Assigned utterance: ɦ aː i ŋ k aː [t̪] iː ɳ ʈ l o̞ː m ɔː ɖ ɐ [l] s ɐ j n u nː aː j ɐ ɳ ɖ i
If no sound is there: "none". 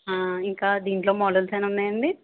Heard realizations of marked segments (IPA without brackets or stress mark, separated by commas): d̪, l